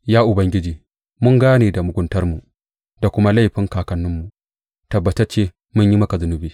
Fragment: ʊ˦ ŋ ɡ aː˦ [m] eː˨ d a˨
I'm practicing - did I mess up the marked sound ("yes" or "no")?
yes